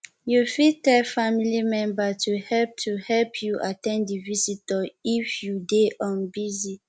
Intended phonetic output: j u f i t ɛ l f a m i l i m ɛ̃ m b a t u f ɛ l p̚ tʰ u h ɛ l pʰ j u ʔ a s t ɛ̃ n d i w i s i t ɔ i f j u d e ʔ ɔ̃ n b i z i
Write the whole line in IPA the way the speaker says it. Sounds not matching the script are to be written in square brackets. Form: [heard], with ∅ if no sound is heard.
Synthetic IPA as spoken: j u f i t ɛ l f a m i l i m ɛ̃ m b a t u [h] ɛ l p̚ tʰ u h ɛ l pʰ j u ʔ a [∅] t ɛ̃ n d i [v] i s i t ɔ i f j u d e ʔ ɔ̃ n b i z i